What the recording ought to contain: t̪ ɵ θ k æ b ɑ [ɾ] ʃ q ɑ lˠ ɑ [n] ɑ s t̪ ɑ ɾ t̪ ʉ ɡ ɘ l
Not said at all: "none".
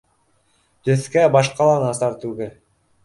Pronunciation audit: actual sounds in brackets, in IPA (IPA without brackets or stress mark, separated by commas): none, n